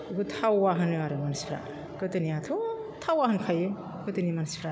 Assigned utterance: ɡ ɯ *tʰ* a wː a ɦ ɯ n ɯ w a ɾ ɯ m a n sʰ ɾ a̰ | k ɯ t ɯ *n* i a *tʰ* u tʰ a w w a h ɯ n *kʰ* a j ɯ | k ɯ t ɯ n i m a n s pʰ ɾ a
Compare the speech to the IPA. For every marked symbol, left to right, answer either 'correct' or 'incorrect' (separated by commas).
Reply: correct, correct, correct, correct